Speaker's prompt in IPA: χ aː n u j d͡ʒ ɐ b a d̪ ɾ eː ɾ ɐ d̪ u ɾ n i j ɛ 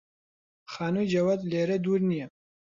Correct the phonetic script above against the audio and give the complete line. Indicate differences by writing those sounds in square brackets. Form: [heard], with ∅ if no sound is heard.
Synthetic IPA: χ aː n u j d͡ʒ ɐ [w] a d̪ [l] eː ɾ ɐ d̪ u ɾ n i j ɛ